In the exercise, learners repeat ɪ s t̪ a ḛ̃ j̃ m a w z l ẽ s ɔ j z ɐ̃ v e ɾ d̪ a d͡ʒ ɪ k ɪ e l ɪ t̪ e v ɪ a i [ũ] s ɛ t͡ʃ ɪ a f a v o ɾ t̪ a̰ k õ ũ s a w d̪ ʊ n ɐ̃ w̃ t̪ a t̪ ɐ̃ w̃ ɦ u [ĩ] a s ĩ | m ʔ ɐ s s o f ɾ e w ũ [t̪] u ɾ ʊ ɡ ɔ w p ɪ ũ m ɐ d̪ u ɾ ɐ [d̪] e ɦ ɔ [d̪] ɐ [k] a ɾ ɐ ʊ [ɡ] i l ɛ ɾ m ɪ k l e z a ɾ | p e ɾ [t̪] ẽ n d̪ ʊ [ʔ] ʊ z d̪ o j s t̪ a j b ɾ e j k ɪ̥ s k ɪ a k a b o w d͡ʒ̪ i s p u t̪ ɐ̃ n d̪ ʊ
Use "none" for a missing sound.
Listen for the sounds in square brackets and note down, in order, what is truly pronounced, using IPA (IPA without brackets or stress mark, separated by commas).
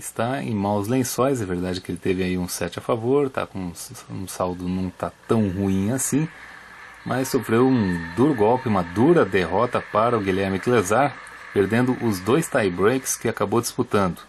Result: ũ, ĩ, d̪, d̪, t̪, p, ɡ, d̪, ʔ